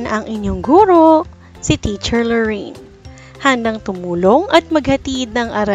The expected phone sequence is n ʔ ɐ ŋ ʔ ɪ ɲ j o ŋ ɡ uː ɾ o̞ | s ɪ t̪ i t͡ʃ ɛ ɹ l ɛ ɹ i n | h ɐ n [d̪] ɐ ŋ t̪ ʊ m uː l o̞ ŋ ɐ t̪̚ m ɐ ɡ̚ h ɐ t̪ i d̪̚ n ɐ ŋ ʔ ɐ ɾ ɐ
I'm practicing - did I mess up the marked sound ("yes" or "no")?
no